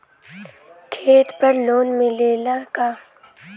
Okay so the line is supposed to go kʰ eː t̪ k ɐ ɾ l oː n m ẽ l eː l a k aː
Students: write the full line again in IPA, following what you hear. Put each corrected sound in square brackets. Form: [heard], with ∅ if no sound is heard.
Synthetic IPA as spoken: kʰ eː t̪ [p] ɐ ɾ l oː n m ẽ l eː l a k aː